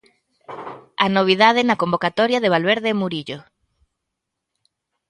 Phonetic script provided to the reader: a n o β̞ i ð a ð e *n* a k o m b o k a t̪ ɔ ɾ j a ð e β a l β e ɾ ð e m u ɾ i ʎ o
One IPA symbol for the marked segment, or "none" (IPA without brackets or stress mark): n